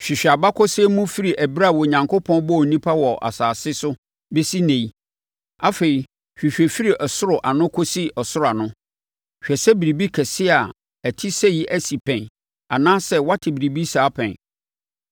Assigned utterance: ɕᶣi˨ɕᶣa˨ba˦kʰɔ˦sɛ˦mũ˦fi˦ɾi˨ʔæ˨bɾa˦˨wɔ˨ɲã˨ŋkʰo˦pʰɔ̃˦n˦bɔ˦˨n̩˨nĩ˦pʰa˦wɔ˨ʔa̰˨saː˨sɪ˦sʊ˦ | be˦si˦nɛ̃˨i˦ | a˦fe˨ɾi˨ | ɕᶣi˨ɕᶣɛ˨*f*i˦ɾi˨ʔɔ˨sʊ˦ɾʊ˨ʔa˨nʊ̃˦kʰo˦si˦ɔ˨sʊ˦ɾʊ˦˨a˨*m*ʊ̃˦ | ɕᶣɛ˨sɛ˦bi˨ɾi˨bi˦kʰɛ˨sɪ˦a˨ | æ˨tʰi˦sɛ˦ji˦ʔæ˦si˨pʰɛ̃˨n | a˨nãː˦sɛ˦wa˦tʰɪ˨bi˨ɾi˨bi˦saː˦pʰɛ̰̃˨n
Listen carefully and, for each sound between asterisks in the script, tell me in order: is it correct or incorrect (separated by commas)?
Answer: correct, incorrect